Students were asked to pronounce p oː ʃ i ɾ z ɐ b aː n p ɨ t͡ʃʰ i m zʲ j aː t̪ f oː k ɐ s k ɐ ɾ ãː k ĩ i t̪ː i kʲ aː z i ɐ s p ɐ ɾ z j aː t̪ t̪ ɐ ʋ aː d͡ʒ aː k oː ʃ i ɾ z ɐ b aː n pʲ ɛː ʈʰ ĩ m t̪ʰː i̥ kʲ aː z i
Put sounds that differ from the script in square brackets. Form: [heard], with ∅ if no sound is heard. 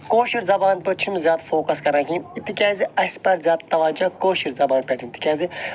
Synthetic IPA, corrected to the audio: [k] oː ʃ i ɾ z ɐ b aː n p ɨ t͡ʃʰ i m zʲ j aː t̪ f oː k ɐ s k ɐ ɾ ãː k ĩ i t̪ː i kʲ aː z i ɐ s p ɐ ɾ z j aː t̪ t̪ ɐ ʋ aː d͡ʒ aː k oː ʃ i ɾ z ɐ b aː n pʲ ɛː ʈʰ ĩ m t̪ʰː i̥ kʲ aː z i